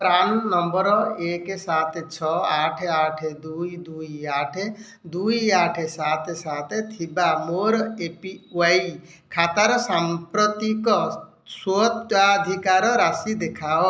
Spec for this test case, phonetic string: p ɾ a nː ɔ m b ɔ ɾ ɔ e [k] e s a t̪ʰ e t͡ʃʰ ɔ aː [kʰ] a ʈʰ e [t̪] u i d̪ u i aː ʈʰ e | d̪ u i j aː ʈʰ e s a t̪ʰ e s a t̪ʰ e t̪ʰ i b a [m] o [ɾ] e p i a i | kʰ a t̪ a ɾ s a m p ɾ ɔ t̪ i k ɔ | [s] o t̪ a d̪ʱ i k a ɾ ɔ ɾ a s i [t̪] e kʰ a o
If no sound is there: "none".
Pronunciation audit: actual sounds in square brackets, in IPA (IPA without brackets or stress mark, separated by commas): k, ʈʰ, d̪, m, ɾ, s, d̪